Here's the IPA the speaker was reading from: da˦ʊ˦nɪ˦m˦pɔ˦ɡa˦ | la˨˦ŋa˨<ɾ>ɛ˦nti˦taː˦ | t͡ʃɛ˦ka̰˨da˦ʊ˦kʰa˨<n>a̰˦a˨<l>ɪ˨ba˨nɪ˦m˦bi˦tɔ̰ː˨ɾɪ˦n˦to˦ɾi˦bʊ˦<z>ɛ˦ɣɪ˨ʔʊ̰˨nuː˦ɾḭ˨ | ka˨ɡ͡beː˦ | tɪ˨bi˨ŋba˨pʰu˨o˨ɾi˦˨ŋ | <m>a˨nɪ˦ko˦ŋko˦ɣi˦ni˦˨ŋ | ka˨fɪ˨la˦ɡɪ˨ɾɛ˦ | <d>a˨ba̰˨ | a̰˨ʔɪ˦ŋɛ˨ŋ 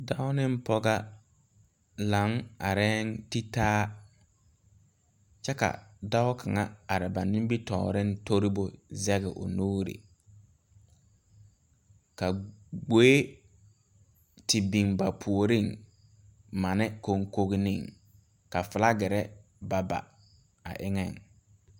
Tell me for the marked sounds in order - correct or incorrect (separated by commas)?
correct, incorrect, incorrect, correct, correct, incorrect